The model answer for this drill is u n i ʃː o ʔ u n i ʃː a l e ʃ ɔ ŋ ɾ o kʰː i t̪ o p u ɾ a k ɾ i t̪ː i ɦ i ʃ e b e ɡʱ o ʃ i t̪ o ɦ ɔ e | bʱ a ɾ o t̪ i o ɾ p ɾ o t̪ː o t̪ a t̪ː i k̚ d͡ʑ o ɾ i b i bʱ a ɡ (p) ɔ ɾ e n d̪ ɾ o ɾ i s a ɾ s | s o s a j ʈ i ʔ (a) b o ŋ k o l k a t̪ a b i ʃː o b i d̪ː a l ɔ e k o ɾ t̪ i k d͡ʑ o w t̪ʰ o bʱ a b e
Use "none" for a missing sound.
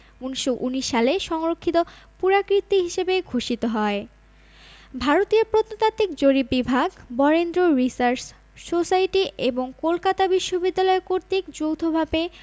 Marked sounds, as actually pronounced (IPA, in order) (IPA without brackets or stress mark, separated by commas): b, e